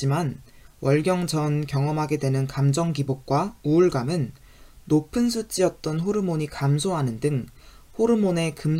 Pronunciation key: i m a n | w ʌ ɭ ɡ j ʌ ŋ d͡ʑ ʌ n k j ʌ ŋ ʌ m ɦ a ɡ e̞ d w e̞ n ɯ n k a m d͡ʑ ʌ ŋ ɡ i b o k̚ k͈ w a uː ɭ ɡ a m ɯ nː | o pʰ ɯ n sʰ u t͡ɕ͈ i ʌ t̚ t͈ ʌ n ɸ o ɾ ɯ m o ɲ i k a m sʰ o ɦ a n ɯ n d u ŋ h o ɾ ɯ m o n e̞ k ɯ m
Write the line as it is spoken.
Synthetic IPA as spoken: i m a n | w ʌ ɭ ɡ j ʌ ŋ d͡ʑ ʌ n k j ʌ ŋ ʌ m ɦ a ɡ e̞ d w e̞ n ɯ n k a m d͡ʑ ʌ ŋ ɡ i b o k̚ k͈ w a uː ɭ ɡ a m ɯ nː | o pʰ ɯ n sʰ u t͡ɕ͈ i ʌ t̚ t͈ ʌ n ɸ o ɾ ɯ m o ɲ i k a m sʰ o ɦ a n ɯ n d ɯ ŋ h o ɾ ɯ m o n e̞ k ɯ m